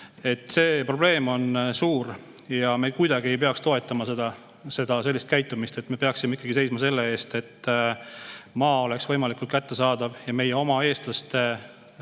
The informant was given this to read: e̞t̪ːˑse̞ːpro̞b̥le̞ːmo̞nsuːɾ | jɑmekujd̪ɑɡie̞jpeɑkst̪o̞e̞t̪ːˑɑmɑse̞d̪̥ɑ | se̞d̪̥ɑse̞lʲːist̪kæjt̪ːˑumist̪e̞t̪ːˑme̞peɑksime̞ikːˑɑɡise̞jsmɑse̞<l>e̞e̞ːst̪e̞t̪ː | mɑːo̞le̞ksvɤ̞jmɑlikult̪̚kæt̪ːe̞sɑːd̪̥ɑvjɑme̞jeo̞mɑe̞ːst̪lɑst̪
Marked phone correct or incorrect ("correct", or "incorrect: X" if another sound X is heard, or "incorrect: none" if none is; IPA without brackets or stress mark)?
incorrect: lː